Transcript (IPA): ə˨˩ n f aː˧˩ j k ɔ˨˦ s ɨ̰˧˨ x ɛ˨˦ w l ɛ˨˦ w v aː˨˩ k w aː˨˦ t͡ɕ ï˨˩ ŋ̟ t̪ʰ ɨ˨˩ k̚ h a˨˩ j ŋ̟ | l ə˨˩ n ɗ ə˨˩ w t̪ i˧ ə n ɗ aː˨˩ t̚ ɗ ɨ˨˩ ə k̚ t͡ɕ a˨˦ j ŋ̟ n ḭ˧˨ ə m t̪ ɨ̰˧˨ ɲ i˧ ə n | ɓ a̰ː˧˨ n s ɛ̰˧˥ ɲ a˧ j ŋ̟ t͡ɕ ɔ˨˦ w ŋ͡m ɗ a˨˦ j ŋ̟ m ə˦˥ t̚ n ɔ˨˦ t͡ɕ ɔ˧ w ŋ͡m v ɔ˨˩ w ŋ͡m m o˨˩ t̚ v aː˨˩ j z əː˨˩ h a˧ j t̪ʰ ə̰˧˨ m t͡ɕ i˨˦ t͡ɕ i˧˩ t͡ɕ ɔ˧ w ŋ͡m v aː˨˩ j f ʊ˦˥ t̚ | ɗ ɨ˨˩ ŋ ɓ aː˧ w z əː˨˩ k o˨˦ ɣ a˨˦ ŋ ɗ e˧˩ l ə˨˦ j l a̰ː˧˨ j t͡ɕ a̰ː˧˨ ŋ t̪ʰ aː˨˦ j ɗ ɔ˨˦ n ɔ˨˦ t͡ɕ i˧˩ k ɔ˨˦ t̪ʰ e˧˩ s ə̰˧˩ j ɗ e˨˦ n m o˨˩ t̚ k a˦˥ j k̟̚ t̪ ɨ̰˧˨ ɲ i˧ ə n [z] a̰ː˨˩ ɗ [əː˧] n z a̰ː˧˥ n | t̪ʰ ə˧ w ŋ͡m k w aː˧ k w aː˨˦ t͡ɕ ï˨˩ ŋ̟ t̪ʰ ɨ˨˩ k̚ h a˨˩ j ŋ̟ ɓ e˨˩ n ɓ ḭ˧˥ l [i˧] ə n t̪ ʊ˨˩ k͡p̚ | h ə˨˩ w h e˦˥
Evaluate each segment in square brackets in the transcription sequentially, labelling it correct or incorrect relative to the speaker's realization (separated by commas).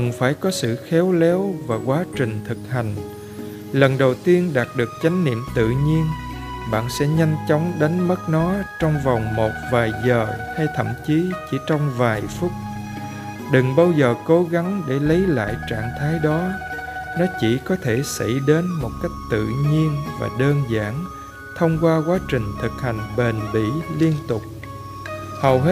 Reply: incorrect, correct, correct